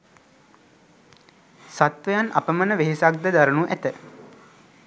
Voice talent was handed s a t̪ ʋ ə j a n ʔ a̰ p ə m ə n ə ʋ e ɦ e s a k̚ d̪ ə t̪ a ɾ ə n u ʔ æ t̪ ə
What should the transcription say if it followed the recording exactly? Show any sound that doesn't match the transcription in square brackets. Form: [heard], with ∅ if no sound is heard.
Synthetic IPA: s a t̪ ʋ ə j a n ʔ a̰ p ə m ə n ə ʋ e ɦ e s a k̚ d̪ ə [d̪] a ɾ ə n u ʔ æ t̪ ə